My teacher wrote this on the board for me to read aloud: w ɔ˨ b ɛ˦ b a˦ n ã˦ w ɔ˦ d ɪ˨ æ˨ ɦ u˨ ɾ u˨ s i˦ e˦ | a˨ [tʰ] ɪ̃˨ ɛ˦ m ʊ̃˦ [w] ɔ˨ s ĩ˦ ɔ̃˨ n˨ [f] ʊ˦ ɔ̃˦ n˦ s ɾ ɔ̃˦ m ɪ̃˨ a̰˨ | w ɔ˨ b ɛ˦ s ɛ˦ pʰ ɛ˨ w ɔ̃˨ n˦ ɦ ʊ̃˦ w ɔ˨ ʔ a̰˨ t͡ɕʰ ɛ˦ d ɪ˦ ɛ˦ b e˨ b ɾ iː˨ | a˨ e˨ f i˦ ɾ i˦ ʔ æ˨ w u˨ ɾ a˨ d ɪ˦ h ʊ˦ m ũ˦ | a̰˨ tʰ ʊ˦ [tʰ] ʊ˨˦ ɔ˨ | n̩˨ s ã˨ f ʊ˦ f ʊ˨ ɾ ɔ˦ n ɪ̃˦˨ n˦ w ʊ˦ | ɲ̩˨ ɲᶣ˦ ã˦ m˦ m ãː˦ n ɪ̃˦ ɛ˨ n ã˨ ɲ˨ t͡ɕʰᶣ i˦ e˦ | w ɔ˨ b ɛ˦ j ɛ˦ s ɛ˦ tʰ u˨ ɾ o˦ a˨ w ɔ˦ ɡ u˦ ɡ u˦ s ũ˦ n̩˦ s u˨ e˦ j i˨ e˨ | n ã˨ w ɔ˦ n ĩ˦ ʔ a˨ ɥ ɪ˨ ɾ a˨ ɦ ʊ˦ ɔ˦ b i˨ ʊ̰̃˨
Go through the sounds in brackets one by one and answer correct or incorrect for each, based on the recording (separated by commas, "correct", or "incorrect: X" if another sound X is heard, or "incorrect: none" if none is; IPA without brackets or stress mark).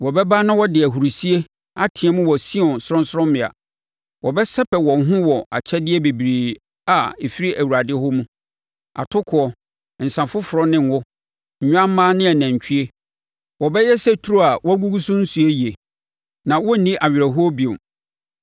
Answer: correct, correct, incorrect: s, incorrect: kʰ